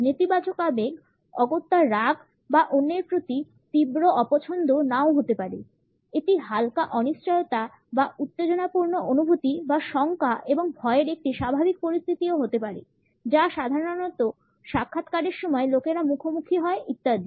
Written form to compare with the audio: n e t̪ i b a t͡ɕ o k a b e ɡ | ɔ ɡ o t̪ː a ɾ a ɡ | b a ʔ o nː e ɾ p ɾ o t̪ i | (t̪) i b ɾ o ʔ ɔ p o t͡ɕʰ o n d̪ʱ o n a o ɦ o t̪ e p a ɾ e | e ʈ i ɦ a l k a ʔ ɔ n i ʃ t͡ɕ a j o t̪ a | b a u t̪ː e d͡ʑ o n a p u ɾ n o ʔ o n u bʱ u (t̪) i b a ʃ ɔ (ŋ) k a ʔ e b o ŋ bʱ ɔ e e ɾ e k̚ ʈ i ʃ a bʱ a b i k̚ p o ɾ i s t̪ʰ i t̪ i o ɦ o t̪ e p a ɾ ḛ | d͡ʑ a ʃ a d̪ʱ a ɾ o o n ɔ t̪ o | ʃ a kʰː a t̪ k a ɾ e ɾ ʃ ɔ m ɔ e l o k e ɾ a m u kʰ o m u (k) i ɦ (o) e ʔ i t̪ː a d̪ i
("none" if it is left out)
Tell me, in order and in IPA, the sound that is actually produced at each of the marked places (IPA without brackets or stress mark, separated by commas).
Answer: t̪, t̪, ŋ, kʰ, ɔ